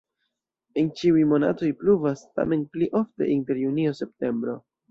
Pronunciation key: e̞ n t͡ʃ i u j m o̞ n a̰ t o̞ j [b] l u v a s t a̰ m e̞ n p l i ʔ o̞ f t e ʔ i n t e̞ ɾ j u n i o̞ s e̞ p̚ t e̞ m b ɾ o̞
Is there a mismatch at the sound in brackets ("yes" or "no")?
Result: yes